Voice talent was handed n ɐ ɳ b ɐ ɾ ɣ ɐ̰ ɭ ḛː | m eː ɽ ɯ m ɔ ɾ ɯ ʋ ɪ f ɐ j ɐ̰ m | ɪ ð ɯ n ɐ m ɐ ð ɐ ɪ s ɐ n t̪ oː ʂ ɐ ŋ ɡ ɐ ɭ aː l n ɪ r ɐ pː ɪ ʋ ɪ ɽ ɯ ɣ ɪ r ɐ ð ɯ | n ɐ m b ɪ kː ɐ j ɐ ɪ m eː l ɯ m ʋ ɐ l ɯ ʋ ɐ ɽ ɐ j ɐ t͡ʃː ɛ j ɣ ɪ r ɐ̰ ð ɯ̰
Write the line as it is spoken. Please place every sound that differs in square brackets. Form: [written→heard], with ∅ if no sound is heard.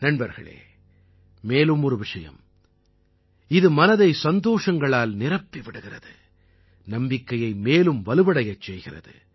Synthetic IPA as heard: n ɐ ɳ b ɐ ɾ ɣ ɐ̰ ɭ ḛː | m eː [ɽ→l] ɯ m ɔ ɾ ɯ ʋ ɪ [f→ʂ] ɐ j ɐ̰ m | ɪ ð ɯ [n→m] ɐ [m→n] ɐ ð ɐ ɪ s ɐ n [t̪→d̪] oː ʂ ɐ ŋ ɡ ɐ ɭ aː l n ɪ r ɐ pː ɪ ʋ ɪ ɽ ɯ ɣ ɪ r ɐ ð ɯ | n ɐ m b ɪ kː ɐ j ɐ ɪ m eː l ɯ m ʋ ɐ l ɯ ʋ ɐ ɽ ɐ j ɐ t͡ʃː ɛ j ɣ ɪ r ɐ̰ ð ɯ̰

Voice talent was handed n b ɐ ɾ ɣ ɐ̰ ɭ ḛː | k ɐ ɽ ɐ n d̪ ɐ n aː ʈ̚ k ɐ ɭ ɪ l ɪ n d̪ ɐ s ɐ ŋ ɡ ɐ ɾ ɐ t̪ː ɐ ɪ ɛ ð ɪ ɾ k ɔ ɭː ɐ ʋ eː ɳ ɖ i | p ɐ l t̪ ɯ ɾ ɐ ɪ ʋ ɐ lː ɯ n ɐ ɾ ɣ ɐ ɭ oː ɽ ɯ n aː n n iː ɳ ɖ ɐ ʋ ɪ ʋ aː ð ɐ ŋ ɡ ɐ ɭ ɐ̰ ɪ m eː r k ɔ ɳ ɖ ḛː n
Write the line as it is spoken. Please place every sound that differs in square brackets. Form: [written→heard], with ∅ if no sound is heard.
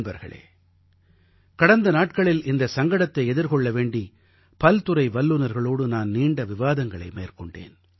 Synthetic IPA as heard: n b ɐ ɾ ɣ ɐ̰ ɭ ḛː | k ɐ ɽ ɐ n d̪ ɐ n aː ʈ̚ k ɐ ɭ ɪ l ɪ n d̪ ɐ s ɐ ŋ ɡ ɐ [ɾ→ɽ] ɐ t̪ː ɐ ɪ ɛ ð ɪ ɾ k ɔ ɭː ɐ ʋ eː ɳ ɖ i | p ɐ l t̪ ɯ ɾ ɐ ɪ ʋ ɐ lː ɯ n ɐ ɾ ɣ ɐ ɭ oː ɽ ɯ n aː n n iː ɳ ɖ ɐ ʋ ɪ ʋ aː ð ɐ ŋ ɡ ɐ ɭ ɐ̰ ɪ m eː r k ɔ ɳ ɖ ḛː n

